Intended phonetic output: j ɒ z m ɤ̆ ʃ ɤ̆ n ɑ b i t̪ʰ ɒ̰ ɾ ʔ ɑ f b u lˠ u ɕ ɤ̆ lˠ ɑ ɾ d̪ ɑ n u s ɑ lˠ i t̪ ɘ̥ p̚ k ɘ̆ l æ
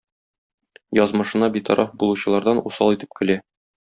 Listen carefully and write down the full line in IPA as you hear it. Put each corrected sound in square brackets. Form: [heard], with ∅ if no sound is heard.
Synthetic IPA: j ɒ z m ɤ̆ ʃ ɤ̆ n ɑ b i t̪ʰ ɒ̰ ɾ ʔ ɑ f b u lˠ u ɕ ɤ̆ lˠ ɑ ɾ d̪ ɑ n u s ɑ lˠ i t̪ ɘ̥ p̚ k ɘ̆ l æ